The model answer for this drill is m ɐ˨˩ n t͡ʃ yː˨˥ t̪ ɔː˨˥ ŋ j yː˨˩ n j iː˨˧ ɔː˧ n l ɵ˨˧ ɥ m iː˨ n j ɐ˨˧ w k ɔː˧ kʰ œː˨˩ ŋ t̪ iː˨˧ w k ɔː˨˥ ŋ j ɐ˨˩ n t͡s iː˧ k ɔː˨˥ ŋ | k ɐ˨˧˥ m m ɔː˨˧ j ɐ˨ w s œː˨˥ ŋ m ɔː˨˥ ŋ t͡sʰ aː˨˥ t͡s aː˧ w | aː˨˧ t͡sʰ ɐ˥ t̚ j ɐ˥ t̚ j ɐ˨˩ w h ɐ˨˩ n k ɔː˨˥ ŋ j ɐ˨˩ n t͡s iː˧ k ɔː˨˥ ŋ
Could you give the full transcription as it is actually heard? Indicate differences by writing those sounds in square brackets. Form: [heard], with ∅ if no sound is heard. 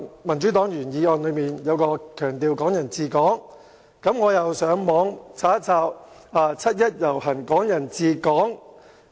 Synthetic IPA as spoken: m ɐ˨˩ n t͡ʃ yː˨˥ t̪ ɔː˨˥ ŋ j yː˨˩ n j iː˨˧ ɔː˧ n l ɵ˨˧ ɥ m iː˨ n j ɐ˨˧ w k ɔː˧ kʰ œː˨˩ ŋ t̪ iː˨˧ w k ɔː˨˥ ŋ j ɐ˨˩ n t͡s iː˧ k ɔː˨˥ ŋ | k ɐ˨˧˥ m [ŋ] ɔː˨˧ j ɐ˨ w s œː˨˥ ŋ m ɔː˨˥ ŋ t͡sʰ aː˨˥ t͡s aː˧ w | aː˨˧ t͡sʰ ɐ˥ t̚ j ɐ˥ t̚ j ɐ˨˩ w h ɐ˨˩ n k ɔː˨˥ ŋ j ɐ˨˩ n t͡s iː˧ k ɔː˨˥ ŋ

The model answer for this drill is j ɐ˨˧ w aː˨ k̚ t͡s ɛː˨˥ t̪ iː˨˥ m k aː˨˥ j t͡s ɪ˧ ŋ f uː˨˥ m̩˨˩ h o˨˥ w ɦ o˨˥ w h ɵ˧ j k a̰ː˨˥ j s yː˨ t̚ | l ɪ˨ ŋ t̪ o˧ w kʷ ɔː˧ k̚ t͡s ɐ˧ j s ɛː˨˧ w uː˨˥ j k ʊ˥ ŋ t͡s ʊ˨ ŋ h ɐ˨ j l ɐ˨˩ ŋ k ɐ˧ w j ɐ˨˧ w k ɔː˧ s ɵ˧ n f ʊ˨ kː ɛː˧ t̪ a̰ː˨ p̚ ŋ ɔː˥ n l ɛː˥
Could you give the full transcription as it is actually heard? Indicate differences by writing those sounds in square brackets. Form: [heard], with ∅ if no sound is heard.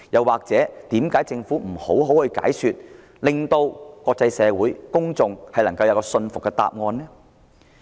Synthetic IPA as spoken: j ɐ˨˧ w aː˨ k̚ t͡s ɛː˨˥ t̪ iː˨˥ m k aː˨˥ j t͡s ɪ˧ ŋ f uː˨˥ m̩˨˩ h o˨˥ w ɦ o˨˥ w h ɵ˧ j k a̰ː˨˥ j s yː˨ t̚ | l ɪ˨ ŋ t̪ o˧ w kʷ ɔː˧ k̚ t͡s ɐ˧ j s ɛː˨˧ w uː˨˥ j k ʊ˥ ŋ t͡s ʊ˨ ŋ h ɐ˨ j l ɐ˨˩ ŋ k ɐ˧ w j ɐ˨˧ w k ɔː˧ s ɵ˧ n f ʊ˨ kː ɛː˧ t̪ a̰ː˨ p̚ ŋ [ɔː˧] n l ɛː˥

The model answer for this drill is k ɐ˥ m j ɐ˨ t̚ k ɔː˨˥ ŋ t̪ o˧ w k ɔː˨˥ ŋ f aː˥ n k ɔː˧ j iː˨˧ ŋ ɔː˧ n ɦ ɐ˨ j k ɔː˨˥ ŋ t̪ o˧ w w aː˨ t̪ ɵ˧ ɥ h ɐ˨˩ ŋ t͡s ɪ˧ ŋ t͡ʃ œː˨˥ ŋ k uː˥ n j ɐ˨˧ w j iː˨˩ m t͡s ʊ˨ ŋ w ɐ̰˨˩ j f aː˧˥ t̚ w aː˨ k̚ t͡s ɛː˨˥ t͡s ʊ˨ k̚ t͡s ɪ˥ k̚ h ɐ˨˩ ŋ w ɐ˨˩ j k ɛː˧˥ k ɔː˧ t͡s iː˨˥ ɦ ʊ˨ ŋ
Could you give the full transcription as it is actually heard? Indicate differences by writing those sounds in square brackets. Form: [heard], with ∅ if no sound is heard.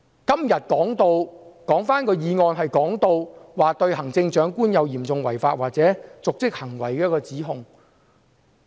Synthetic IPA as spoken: k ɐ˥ m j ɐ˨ t̚ k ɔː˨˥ ŋ t̪ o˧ w k ɔː˨˥ ŋ f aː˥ n k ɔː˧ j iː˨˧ ŋ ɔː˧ n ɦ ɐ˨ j k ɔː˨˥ ŋ t̪ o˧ w w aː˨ t̪ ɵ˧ ɥ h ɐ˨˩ ŋ t͡s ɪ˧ ŋ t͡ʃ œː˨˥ ŋ k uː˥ n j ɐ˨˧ w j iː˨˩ m t͡s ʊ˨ ŋ w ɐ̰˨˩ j f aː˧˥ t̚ w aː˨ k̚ t͡s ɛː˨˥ t͡s ʊ˨ k̚ t͡s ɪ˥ k̚ h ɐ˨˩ ŋ w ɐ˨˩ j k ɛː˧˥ k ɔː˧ t͡s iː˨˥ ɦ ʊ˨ ŋ

